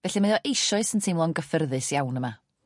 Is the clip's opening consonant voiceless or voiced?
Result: voiced